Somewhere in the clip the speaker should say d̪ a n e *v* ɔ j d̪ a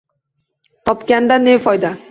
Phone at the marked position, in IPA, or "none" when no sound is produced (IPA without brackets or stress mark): f